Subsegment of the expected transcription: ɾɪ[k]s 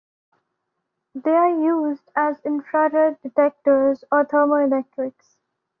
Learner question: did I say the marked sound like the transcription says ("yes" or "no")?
yes